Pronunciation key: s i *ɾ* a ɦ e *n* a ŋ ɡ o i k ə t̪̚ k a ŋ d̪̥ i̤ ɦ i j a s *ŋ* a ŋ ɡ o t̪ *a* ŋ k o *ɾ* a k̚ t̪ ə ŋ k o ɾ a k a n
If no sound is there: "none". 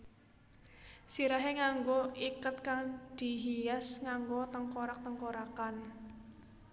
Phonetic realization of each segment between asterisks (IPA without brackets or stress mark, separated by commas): ɾ, ŋ, ŋ, ə, ɾ